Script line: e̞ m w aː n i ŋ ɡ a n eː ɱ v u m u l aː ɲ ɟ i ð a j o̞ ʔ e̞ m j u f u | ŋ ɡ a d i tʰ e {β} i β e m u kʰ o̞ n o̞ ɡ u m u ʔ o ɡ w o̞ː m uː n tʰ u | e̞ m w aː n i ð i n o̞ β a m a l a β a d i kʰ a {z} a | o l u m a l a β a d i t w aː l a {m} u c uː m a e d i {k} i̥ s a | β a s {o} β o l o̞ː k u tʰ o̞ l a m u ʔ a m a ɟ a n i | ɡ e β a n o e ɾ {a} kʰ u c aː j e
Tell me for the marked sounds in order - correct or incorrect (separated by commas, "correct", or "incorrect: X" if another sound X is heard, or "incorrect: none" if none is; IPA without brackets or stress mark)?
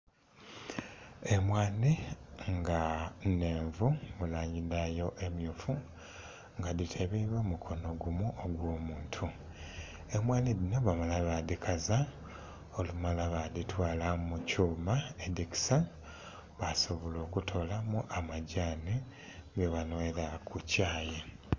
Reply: correct, correct, correct, correct, correct, correct